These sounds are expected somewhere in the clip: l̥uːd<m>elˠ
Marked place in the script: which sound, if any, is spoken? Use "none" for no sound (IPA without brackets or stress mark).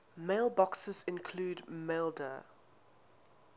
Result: m